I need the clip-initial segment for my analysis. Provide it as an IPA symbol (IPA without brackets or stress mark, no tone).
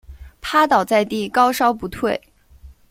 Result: pʰ